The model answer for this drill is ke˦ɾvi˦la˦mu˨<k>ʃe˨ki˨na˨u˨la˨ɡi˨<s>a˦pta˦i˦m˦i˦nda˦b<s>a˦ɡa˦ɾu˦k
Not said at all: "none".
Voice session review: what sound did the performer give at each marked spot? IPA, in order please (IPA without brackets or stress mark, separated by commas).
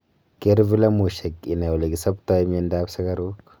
none, s, s